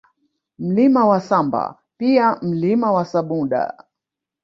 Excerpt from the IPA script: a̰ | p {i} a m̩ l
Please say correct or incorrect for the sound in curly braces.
correct